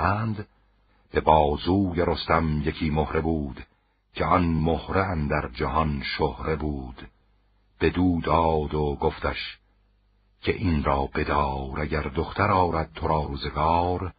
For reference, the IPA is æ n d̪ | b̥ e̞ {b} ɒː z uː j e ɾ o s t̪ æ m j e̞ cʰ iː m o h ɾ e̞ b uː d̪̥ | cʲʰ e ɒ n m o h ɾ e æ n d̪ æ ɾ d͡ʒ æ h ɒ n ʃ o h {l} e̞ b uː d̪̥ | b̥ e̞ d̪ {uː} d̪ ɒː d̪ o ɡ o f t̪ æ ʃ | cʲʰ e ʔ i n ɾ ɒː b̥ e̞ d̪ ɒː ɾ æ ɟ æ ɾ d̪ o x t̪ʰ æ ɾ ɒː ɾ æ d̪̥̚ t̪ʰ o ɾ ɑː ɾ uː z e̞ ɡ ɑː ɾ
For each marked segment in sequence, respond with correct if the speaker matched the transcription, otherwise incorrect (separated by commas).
correct, incorrect, correct